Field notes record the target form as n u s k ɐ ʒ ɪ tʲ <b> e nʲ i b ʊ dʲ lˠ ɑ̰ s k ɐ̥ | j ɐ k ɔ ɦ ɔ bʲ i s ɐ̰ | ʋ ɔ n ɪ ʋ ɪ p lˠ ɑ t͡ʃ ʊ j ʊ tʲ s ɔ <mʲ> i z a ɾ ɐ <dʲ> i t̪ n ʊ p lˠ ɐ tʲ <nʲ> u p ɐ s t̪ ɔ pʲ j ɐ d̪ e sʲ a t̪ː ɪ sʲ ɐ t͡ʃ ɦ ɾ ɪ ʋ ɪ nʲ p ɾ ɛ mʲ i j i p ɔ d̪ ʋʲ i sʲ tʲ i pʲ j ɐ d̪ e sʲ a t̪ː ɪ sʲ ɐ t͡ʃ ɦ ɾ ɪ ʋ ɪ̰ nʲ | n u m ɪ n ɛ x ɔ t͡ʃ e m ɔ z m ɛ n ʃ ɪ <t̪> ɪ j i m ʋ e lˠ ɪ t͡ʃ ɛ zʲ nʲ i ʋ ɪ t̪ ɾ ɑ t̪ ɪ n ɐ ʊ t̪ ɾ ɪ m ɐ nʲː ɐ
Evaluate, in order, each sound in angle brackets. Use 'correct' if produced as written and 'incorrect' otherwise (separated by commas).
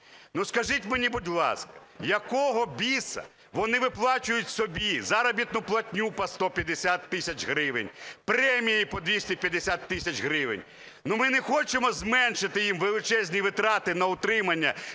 incorrect, incorrect, incorrect, correct, correct